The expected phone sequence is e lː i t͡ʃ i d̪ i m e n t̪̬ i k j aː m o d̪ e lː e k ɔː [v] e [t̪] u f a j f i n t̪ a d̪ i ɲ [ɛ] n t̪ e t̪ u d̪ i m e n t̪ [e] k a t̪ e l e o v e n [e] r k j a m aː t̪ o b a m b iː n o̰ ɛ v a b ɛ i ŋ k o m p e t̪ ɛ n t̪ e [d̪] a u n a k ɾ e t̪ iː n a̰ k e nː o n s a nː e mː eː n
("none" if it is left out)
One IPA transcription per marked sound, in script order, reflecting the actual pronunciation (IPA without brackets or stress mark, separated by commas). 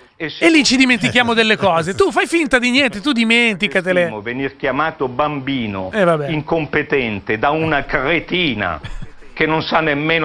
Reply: z, t̪, ɛ, i, i, d̪